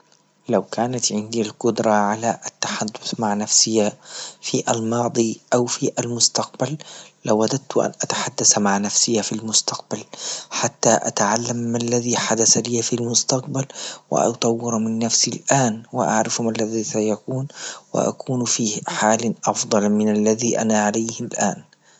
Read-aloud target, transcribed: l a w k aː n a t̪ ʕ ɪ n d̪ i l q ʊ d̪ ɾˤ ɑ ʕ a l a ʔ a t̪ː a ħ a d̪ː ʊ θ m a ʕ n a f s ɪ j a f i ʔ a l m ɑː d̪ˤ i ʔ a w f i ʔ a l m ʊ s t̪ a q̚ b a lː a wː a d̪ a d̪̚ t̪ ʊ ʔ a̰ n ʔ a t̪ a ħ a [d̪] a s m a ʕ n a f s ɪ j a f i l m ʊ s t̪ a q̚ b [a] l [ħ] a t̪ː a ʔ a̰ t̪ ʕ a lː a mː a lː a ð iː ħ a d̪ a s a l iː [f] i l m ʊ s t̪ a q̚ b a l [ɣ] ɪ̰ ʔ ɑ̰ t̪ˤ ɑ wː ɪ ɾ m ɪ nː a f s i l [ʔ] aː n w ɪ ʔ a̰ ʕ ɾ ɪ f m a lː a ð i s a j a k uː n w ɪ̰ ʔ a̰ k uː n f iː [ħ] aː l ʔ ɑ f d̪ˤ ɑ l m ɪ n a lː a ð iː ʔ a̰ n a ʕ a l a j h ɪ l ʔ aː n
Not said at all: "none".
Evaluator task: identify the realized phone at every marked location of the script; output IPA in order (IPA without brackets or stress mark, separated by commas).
d̪ː, a, ħ, f, w, ʔ, ħ